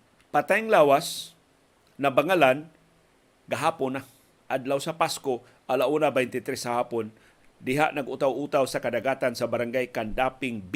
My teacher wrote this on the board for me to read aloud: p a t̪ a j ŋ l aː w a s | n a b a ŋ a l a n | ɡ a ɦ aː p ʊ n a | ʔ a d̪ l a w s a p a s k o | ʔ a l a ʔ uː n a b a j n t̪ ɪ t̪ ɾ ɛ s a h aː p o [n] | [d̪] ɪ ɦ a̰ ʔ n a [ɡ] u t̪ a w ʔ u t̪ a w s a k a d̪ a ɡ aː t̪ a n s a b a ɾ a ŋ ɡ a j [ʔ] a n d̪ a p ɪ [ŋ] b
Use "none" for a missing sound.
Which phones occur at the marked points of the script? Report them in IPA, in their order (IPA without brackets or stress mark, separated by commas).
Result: n, d̪, ɡ, k, ŋ